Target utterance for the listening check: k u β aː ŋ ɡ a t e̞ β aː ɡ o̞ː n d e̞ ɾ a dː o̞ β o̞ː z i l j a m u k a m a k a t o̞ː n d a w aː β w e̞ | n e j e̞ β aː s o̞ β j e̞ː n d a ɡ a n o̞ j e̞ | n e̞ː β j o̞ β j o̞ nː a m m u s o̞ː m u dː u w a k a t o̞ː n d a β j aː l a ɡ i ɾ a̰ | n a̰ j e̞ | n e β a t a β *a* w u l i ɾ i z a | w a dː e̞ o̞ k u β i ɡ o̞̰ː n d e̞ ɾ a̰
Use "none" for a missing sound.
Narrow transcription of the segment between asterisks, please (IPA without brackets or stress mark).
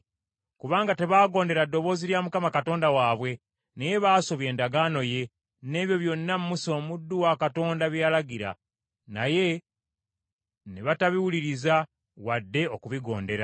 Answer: i